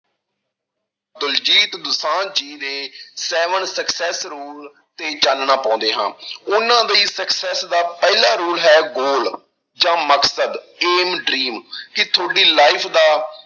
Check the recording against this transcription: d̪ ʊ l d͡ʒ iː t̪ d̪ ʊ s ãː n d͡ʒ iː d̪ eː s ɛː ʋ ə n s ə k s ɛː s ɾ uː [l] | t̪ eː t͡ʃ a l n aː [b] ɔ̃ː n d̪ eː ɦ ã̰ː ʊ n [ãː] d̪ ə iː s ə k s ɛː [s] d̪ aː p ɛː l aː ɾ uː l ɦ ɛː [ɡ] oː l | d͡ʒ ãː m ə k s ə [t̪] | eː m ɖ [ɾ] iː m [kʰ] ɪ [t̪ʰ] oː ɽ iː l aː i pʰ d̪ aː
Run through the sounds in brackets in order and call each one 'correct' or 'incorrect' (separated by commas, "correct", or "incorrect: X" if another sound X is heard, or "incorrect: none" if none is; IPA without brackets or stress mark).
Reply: correct, incorrect: p, correct, correct, correct, incorrect: d̪, correct, incorrect: k, correct